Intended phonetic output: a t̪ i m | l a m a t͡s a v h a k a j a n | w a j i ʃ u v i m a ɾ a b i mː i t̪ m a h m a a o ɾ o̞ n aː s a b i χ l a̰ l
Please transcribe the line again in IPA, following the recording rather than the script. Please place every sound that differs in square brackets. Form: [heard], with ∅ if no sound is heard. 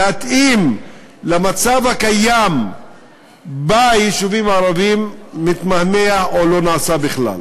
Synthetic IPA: a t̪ i m | l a m a t͡s a v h a k a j a [m] | [b] a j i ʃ u v i m a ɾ a [v] i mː i t̪ m a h m [e] a o [l] o̞ n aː s a b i χ l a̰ l